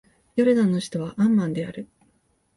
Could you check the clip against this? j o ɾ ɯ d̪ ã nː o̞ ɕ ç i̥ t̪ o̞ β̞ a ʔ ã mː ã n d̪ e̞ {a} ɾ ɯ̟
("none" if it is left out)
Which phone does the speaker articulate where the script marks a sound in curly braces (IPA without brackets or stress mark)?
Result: a